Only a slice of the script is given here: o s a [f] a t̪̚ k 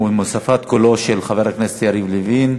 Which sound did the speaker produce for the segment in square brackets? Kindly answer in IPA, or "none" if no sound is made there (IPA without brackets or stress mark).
f